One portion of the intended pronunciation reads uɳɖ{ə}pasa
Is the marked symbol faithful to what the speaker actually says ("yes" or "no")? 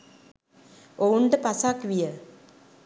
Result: yes